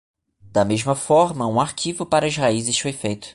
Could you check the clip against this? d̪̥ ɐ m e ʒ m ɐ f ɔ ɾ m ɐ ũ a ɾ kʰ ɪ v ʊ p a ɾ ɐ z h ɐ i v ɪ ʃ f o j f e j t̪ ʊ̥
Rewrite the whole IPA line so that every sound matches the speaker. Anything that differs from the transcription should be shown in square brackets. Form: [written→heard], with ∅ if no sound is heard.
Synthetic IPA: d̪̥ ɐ m e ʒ m ɐ f ɔ ɾ m ɐ ũ a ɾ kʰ [ɪ→i] v ʊ p a ɾ ɐ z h [ɐ→a] i [v→z] ɪ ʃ f o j f e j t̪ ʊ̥